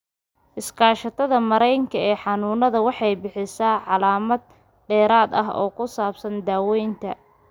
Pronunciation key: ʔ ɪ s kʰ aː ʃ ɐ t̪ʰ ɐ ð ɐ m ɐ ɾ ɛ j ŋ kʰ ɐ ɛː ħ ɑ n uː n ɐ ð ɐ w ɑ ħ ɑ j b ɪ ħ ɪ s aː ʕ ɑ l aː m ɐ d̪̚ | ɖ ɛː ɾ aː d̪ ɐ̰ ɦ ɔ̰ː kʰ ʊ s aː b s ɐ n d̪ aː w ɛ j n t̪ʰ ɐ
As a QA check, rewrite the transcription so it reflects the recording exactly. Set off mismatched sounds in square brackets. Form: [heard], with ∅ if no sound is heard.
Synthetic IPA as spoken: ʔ ɪ s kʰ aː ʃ ɐ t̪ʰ ɐ ð ɐ m ɐ ɾ ɛ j ŋ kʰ ɐ ɛː ħ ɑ n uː n ɐ ð ɐ w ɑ ħ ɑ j b ɪ ħ ɪ s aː ʕ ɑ l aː m ɐ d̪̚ | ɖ ɛː ɾ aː d̪ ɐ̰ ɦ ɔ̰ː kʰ ʊ s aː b s ɐ n d̪ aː w ɛ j n t̪ʰ ɐ